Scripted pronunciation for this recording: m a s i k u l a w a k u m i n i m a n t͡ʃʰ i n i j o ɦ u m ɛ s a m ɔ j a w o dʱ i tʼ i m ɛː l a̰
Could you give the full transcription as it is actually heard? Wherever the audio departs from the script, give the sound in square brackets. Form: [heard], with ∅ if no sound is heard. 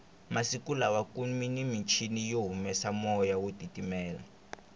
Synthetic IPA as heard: m a s i k u l a w a k u m i n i m [i] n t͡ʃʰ i n i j o ɦ u m ɛ s a m ɔ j a w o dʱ i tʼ i m ɛː l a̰